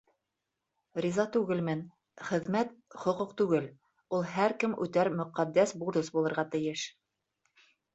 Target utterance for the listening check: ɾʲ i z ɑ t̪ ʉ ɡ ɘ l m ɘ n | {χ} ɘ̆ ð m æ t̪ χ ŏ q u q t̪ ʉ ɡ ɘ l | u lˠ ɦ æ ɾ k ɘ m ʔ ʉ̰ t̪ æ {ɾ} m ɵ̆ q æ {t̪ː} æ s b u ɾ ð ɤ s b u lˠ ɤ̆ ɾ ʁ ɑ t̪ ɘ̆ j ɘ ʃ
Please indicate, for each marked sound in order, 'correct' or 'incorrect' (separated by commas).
correct, correct, incorrect